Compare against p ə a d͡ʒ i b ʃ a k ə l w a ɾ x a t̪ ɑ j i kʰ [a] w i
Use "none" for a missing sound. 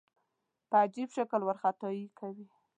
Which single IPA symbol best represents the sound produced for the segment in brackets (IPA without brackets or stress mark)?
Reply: a